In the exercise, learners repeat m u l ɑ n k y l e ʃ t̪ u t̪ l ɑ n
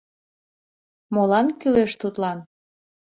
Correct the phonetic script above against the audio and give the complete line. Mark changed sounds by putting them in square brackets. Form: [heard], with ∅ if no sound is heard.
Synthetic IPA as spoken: m [o] l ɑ n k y l e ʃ t̪ u t̪ l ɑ n

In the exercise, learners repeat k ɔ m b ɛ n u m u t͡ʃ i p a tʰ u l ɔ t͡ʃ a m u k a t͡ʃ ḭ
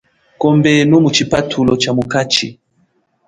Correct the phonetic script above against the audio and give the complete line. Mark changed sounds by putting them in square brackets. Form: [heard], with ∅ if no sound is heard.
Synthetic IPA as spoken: k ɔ m b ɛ n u m u t͡ʃ i p a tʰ u l ɔ t͡ʃ a m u k a t͡ʃ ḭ

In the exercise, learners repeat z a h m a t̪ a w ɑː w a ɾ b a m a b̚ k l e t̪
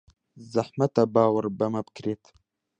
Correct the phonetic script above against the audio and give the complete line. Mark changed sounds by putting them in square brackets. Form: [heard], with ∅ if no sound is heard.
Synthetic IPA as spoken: z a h m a t̪ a [b] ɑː w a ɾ b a m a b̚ k [ɾ] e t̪

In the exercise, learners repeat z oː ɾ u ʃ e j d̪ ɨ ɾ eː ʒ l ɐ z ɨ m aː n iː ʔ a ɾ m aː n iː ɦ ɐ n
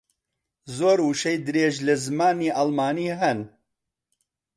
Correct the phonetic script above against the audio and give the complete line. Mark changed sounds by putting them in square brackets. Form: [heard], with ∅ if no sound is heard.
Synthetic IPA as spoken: z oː ɾ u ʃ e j d̪ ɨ ɾ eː ʒ l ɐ z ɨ m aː n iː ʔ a [l] m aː n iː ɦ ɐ n

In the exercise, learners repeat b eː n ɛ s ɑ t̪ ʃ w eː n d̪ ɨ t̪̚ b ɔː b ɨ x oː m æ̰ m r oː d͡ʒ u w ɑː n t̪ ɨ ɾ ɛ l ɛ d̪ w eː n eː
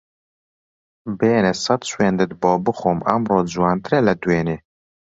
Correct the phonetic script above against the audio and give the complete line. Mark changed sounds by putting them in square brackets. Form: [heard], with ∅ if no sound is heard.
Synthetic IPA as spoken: b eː n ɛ s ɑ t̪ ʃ w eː n d̪ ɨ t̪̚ b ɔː b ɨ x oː m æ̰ m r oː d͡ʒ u w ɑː n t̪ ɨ ɾ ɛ l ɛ d̪ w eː n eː

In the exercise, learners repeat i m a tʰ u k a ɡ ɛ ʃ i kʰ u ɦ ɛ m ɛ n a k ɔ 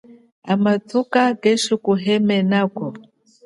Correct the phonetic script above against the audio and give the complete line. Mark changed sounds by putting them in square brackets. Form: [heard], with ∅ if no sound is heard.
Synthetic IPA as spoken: [a] m a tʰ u k a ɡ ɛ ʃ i [k] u ɦ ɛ m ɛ n a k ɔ

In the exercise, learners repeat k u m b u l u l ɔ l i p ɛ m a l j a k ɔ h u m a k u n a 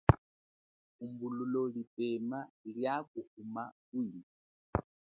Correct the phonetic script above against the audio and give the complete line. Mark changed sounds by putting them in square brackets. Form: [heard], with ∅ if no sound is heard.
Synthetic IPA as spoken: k u m b u l u l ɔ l i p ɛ m a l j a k [u] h u m a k u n [i]

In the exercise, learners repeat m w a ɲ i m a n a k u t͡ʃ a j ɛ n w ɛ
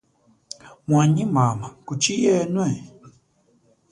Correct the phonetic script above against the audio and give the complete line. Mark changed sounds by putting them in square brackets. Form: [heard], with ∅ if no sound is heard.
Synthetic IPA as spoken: m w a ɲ i m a [m] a k u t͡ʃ [i] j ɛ n w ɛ

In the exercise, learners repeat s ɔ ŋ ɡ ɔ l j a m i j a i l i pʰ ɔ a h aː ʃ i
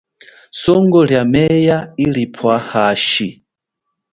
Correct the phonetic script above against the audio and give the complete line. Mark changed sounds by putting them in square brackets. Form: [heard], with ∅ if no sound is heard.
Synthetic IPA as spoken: s ɔ ŋ ɡ ɔ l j a m [ɛ] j a i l i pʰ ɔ a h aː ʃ i

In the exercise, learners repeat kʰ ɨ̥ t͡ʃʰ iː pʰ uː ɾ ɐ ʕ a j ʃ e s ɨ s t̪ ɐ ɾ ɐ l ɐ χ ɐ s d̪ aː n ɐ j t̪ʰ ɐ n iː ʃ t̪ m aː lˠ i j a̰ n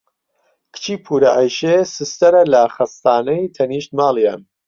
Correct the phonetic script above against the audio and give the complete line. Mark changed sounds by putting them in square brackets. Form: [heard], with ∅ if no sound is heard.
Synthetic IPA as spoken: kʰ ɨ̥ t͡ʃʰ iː pʰ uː ɾ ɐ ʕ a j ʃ e s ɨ s t̪ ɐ ɾ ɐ l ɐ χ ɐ s [t̪] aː n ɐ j t̪ʰ ɐ n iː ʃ t̪ m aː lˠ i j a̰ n

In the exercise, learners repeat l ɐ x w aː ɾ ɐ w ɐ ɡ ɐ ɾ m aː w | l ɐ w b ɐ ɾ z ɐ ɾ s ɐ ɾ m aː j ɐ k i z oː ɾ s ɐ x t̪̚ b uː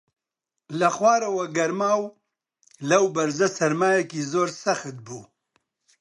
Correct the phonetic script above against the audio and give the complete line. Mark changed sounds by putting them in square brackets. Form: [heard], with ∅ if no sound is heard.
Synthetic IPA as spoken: l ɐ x w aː ɾ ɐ w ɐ ɡ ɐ ɾ m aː w | l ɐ w b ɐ ɾ z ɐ [∅] s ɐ ɾ m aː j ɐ k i z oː ɾ s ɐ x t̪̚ b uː

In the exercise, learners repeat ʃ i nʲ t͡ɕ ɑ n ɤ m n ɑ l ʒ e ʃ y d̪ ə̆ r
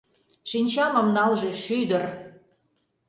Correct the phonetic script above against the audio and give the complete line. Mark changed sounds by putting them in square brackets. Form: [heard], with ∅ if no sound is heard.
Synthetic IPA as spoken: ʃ i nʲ t͡ɕ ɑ [m] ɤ m n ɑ l ʒ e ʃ y d̪ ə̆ r

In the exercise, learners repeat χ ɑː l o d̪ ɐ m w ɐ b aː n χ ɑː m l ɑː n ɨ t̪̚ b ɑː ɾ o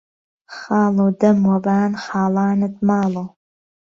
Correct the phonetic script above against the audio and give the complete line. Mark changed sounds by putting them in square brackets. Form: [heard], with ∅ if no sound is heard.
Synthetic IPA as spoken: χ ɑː l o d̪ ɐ m w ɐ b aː n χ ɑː [∅] l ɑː n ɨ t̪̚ [m] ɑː [l] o

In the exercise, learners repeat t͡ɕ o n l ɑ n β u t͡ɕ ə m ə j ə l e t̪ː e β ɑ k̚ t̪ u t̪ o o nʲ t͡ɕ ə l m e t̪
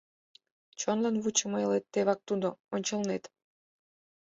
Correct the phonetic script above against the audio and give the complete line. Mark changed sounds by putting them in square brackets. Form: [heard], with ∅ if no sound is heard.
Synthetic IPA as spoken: t͡ɕ o n l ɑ n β u t͡ɕ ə m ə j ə l e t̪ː e β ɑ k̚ t̪ u [d̪] o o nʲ t͡ɕ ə l [n] e t̪

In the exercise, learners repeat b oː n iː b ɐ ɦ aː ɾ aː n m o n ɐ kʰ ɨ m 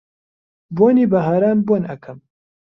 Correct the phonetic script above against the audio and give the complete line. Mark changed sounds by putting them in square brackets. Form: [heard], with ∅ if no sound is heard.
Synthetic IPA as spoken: b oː n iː b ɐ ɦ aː ɾ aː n [b] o n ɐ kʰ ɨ m

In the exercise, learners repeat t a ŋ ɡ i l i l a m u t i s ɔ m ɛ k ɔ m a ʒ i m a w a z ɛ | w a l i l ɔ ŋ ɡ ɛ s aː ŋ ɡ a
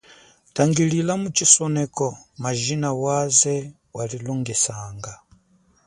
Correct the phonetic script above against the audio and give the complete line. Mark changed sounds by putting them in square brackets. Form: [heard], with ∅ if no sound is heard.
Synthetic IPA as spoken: t a ŋ ɡ i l i l a m u [t͡ʃ] i s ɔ [n] ɛ k ɔ m a ʒ i [n] a w a z ɛ | w a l i l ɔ ŋ ɡ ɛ s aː ŋ ɡ a

